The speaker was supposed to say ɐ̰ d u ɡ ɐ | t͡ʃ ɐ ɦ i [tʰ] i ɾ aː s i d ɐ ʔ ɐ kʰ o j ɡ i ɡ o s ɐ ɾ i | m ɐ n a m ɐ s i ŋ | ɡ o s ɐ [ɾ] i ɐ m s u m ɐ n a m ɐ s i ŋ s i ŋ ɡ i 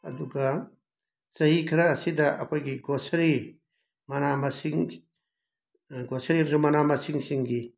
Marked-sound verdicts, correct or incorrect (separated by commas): incorrect, correct